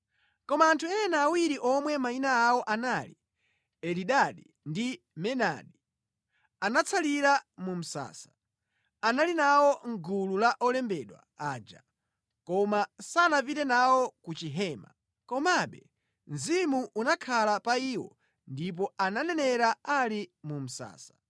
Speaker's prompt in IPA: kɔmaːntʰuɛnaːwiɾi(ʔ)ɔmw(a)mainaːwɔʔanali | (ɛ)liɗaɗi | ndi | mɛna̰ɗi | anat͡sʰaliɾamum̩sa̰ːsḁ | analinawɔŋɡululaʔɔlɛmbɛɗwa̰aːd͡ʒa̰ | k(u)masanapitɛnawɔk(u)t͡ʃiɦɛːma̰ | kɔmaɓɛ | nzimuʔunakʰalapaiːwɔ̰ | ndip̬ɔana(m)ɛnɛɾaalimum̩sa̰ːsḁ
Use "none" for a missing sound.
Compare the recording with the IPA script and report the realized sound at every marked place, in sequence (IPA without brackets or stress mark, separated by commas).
ʔ, ɛ, ɛ, ɔ, u, n